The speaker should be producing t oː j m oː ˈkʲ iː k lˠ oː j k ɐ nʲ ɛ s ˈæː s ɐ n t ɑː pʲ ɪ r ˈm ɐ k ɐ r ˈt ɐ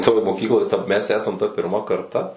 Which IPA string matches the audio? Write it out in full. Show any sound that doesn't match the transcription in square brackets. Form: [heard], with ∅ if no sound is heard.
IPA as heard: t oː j m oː ˈkʲ iː k lˠ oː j [t] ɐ [mʲ] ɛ s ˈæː s ɐ [m] t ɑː pʲ ɪ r ˈm ɐ k ɐ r ˈt ɐ